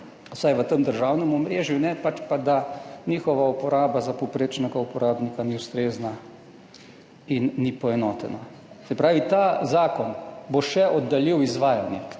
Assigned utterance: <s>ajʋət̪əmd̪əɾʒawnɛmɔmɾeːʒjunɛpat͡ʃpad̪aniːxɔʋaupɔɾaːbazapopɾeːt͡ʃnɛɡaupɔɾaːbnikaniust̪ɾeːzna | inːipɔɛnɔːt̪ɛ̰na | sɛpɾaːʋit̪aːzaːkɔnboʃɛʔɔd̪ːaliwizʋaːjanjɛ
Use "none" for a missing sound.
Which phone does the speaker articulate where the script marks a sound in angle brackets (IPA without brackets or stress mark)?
s